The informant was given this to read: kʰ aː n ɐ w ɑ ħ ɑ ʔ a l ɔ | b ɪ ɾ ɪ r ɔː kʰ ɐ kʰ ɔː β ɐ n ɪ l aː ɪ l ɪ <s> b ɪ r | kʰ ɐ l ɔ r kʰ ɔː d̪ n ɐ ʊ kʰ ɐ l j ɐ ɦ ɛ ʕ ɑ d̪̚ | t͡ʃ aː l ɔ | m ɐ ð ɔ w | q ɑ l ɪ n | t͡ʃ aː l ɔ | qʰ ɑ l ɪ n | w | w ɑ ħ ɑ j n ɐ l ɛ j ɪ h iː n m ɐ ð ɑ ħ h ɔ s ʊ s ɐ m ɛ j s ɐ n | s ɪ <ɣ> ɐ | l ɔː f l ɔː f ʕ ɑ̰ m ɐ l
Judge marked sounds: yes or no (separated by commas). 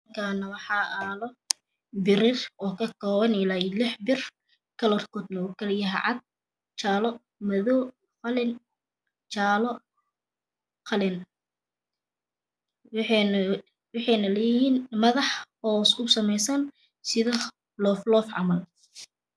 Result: no, no